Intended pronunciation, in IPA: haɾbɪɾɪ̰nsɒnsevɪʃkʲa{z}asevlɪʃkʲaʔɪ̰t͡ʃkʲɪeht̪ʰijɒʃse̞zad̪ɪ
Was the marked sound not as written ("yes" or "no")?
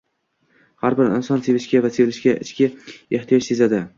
yes